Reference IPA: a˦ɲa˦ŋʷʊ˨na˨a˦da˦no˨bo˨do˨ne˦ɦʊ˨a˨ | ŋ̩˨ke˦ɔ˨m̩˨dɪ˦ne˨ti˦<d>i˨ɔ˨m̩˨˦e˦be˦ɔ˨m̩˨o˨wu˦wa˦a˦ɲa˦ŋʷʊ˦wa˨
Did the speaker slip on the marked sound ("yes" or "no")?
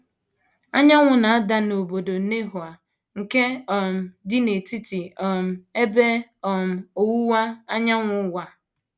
yes